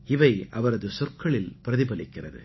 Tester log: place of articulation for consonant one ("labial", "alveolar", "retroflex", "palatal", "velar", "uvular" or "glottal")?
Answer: labial